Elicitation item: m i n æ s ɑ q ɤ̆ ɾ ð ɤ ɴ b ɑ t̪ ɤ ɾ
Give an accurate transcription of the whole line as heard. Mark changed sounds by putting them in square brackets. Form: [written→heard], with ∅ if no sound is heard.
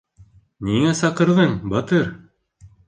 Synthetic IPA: [m→n] i [n→ŋ] æ s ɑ q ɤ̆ ɾ ð ɤ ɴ b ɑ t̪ ɤ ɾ